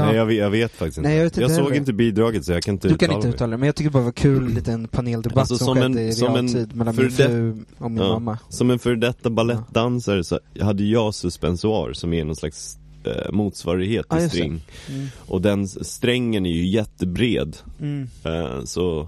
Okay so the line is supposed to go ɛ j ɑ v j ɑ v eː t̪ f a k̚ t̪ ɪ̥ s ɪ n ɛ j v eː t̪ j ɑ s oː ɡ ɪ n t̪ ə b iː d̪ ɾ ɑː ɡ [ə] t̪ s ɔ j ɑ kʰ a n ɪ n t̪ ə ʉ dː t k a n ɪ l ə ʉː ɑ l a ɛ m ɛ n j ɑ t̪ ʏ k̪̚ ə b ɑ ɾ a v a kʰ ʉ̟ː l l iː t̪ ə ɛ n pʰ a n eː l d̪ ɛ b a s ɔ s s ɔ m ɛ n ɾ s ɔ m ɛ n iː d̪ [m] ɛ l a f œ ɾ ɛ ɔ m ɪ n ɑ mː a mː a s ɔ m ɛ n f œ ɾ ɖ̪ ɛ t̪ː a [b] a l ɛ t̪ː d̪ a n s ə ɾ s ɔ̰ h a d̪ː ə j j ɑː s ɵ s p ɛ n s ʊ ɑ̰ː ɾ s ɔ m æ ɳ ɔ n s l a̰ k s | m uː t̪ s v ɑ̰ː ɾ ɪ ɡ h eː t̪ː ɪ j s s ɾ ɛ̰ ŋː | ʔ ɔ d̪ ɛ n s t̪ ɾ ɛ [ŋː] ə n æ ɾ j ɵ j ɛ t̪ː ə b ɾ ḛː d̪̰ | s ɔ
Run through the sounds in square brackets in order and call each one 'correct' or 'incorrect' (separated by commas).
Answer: correct, correct, correct, correct